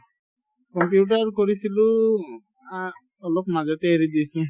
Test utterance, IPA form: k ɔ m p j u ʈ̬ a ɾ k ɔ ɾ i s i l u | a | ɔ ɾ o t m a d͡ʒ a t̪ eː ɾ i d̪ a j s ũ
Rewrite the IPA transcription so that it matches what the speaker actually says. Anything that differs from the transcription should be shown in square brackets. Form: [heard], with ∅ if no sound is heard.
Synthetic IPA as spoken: k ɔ m p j u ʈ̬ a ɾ k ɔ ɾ i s i l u | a | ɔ [l] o [k] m a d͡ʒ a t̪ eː ɾ i d̪ [i] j s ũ

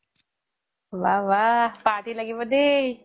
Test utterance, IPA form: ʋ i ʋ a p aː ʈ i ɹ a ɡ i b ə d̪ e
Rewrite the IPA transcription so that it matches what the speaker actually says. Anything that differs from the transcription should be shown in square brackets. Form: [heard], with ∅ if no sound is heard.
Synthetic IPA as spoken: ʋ [a] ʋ a p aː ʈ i [l] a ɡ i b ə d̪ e

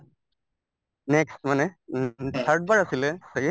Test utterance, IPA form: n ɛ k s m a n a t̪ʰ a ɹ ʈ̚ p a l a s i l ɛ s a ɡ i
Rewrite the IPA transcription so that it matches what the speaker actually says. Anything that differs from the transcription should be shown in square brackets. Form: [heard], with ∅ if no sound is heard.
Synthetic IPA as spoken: n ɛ k s m a n [ɛ] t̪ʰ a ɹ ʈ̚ [b] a [ɹ] a s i l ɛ s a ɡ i

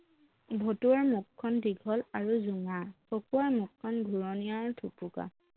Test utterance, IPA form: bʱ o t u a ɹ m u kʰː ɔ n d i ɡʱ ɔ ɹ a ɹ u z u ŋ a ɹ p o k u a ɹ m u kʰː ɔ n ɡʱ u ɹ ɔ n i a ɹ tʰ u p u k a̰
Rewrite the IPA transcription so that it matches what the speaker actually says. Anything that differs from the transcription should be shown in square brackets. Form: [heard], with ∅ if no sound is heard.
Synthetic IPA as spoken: bʱ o t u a ɹ m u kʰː ɔ n d i ɡʱ ɔ [l] a ɹ u z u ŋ a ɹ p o k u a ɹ m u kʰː ɔ n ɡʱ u ɹ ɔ n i a ɹ tʰ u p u k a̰

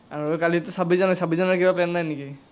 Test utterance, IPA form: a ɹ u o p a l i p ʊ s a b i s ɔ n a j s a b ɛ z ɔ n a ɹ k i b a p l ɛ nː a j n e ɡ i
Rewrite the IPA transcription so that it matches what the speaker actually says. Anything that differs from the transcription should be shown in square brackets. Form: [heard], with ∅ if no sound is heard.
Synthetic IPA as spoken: a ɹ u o [k] a l i [t] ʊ s a b i [z] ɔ n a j s a b [i] z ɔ n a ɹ k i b a p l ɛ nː a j n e [k] i

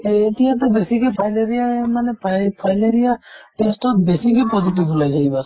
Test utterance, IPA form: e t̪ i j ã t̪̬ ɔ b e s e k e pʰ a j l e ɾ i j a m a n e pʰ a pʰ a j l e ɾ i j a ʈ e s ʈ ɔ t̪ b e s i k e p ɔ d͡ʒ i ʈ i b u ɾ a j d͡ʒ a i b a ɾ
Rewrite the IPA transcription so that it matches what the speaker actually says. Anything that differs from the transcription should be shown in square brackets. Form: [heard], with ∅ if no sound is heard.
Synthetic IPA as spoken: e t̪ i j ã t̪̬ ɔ b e s [i] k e pʰ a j l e ɾ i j a m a n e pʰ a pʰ a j l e ɾ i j a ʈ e s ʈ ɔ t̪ b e s i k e p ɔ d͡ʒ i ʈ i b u [l] a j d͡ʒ a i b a ɾ

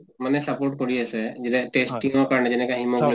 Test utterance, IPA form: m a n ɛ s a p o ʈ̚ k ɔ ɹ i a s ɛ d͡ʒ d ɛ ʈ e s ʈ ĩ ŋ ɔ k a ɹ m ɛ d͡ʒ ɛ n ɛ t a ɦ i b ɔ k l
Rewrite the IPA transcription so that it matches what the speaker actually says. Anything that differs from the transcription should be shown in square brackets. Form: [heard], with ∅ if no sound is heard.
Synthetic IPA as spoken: m a n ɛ s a p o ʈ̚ k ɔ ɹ i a s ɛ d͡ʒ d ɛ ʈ e s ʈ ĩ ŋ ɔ k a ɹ [n] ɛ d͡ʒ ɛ n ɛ [k] a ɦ i [m] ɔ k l

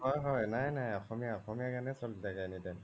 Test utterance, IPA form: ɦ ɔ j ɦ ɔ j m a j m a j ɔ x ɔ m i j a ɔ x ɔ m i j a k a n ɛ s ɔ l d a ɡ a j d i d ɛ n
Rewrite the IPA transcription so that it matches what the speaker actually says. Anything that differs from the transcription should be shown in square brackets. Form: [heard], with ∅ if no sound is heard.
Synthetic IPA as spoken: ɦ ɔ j ɦ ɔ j [n] a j [n] a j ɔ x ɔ m i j a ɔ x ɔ m i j a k a n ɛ s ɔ l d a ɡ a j [n] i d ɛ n

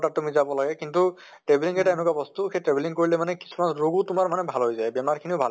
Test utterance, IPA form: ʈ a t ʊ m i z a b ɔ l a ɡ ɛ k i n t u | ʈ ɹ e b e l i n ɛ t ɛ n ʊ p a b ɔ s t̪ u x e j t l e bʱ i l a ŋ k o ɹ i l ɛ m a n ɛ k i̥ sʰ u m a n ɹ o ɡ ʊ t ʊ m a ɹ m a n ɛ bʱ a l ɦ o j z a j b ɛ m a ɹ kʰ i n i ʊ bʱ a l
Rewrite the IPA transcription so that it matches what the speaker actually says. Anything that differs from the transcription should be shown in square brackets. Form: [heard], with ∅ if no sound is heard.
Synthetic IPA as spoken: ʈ a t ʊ m i z a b ɔ l a ɡ ɛ k i n t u | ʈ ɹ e b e l i [ŋ] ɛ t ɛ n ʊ [k] a b ɔ s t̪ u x e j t [ɹ] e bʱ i l [i] ŋ k o ɹ i l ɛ m a n ɛ k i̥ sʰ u m a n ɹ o ɡ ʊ t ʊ m a ɹ m a n ɛ bʱ a l ɦ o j z a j b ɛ m a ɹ kʰ i n i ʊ bʱ a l

